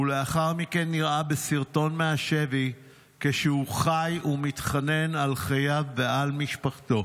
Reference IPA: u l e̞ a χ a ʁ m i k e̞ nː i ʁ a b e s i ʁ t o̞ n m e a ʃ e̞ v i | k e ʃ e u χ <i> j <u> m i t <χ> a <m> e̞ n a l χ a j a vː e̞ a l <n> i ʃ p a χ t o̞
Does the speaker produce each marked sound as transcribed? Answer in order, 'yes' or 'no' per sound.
no, yes, yes, no, no

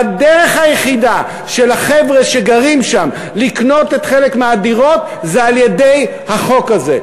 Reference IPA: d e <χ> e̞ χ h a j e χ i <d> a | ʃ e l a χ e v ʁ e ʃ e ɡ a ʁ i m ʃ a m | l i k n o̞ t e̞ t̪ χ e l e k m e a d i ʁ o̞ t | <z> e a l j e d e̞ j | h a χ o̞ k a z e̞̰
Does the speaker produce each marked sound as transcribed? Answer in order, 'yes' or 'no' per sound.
no, yes, yes

